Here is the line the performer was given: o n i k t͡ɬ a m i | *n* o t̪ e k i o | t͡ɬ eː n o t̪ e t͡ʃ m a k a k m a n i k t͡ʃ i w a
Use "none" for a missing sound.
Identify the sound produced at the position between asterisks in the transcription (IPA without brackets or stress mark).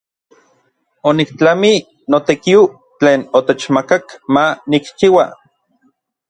n